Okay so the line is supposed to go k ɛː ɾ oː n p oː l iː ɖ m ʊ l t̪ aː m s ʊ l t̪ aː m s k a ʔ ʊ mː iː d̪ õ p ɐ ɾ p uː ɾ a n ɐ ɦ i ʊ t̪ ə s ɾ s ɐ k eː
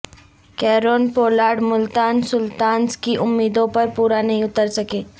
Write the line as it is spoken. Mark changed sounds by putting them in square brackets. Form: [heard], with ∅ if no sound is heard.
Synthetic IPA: k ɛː ɾ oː n p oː l [aː] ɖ m ʊ l t̪ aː [n] s ʊ l t̪ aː [n] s k [i] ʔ ʊ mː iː d̪ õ p ɐ ɾ p uː ɾ a n ɐ ɦ [ĩ] ʊ t̪ ə [∅] ɾ s ɐ k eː